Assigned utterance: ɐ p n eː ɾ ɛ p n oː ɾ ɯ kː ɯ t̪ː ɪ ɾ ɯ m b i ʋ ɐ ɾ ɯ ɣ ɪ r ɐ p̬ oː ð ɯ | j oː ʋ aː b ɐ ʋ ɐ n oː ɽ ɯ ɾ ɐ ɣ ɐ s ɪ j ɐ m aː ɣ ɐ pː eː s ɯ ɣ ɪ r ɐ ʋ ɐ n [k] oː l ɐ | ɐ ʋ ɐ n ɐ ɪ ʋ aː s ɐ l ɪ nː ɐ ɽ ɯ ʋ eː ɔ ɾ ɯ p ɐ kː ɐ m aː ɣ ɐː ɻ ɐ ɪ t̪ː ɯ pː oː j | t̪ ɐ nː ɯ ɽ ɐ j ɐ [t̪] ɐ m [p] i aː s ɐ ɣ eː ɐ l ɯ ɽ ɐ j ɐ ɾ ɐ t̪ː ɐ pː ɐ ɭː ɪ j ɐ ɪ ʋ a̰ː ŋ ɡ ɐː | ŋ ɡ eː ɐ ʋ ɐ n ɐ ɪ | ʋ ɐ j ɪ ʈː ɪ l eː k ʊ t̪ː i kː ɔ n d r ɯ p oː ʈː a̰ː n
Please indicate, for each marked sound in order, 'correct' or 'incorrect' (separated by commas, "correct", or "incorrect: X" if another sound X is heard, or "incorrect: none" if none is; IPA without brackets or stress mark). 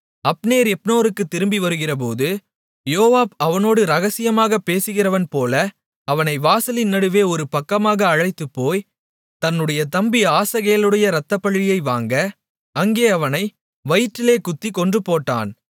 incorrect: p, correct, incorrect: b